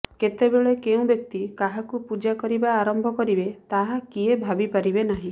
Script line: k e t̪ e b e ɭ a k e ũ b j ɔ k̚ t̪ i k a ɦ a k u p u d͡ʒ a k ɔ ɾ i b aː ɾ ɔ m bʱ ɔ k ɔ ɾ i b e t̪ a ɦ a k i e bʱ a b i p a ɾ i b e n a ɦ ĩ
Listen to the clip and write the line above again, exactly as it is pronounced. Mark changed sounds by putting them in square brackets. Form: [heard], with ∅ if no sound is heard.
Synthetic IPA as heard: k e t̪ e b e ɭ [e] k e ũ b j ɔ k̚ t̪ i k a ɦ a k u p u d͡ʒ a k ɔ ɾ i b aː ɾ ɔ m bʱ ɔ k ɔ ɾ i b e t̪ a ɦ a k i e bʱ a b i p a ɾ i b e n a ɦ ĩ